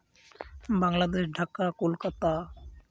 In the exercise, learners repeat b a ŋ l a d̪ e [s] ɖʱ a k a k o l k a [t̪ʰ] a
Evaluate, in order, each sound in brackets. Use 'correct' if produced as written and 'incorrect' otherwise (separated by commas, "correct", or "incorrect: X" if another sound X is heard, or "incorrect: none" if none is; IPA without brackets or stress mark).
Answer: incorrect: ʃ, incorrect: t̪